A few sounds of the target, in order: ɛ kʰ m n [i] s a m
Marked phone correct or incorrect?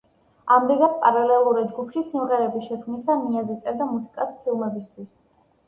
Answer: correct